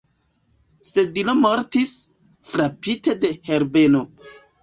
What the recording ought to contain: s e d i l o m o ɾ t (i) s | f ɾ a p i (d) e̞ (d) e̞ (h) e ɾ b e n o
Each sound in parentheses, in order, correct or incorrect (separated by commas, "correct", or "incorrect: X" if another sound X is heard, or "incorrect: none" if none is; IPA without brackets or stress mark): correct, incorrect: t, correct, correct